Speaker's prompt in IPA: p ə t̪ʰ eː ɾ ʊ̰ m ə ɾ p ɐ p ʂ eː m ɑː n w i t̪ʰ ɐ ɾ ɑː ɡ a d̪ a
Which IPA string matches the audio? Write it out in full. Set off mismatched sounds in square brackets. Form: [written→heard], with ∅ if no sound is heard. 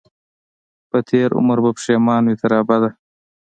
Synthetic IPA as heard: p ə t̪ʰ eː ɾ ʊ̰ m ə ɾ [p→b] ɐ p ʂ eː m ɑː n w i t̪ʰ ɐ ɾ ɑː [ɡ→b] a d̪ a